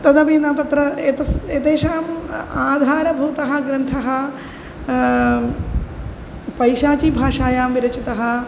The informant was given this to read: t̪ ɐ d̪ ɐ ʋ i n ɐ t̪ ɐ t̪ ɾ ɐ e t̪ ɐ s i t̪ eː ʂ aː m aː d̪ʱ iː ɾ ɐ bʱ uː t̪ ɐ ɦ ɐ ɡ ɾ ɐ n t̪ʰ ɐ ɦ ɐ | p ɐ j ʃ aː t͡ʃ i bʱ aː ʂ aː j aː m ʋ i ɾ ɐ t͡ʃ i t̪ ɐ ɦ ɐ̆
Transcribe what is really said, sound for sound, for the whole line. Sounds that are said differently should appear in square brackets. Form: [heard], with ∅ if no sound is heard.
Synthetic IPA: t̪ ɐ d̪ ɐ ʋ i n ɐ t̪ ɐ t̪ ɾ ɐ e t̪ ɐ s [e] t̪ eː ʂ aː m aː d̪ʱ [aː] ɾ ɐ bʱ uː t̪ ɐ ɦ ɐ ɡ ɾ ɐ n t̪ʰ ɐ ɦ ɐ | p ɐ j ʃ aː t͡ʃ i bʱ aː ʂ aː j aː m ʋ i ɾ ɐ t͡ʃ i t̪ ɐ ɦ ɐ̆